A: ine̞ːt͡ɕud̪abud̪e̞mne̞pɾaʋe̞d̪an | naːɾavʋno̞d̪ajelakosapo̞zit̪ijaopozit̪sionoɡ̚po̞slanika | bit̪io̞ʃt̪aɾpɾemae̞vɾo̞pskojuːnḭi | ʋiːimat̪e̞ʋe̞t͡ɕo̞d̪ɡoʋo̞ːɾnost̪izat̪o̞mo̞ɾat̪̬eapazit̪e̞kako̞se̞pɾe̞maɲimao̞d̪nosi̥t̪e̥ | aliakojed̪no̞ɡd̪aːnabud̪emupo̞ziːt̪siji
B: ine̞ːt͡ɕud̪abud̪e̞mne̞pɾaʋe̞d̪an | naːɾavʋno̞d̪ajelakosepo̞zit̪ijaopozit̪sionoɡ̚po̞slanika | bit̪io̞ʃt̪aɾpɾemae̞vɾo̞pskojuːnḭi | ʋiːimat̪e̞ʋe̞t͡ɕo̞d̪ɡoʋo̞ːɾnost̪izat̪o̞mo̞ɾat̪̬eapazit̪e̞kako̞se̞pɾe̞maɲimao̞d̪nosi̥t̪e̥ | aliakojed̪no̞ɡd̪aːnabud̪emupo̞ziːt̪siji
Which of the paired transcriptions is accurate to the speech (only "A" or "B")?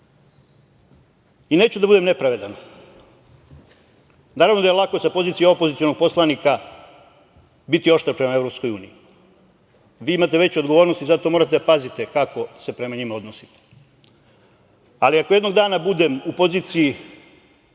A